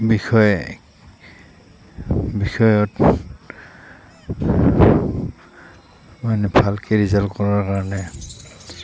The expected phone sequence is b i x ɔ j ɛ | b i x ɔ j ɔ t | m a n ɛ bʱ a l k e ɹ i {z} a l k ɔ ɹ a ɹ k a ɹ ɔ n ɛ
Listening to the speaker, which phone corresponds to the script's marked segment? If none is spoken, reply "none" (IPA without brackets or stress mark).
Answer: z